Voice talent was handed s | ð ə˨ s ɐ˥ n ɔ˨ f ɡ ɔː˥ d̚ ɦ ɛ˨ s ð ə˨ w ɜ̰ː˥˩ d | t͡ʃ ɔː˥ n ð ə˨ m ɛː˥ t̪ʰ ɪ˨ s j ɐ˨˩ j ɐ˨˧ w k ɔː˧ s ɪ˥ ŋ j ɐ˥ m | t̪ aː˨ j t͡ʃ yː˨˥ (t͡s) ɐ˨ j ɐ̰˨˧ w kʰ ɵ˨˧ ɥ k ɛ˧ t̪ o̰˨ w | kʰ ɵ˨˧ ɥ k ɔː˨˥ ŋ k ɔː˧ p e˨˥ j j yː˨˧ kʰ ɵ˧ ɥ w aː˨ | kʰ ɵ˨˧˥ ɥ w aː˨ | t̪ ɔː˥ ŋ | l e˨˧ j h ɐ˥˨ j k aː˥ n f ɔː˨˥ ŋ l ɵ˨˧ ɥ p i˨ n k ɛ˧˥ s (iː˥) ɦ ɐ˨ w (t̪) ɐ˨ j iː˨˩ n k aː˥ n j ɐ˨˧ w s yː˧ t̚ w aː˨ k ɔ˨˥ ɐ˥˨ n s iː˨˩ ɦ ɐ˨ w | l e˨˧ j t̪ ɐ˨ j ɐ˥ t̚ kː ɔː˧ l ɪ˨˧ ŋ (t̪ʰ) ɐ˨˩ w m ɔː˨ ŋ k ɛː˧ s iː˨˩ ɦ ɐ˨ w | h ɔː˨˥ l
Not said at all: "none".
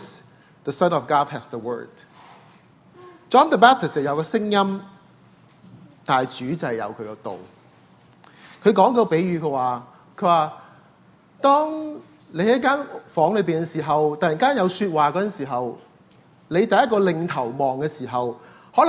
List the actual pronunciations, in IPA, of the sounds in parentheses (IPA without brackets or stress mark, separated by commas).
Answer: t͡s, iː˨˩, t̪, t̪ʰ